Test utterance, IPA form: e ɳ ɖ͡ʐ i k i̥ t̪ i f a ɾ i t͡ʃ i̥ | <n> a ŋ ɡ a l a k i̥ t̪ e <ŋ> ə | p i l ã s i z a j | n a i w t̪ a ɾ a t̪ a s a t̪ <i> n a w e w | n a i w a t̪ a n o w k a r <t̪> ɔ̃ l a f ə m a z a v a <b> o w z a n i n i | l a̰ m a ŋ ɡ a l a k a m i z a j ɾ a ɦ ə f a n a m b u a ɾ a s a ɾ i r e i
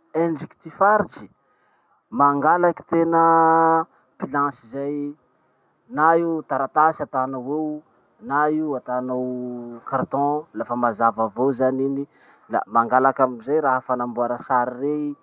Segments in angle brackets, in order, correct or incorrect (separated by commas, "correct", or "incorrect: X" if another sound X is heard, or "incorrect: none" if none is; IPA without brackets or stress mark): incorrect: m, incorrect: n, incorrect: a, correct, incorrect: v